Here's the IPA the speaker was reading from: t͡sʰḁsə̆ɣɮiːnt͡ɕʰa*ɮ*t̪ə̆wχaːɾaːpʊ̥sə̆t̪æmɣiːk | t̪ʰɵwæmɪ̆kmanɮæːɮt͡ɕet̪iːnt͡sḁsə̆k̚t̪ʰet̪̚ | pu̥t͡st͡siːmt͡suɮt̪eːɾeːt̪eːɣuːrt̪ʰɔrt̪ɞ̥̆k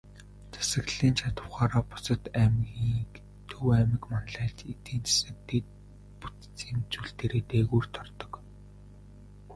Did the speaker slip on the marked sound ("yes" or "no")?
yes